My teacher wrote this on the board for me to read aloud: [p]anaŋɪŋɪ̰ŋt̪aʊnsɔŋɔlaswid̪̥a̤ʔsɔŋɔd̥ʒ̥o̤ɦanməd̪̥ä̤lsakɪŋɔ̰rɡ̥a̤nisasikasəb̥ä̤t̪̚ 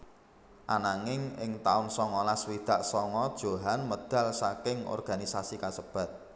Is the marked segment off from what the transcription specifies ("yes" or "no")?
yes